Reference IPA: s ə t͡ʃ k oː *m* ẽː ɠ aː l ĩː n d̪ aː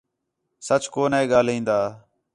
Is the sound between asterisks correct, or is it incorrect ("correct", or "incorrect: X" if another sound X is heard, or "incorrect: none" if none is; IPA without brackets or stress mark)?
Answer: incorrect: n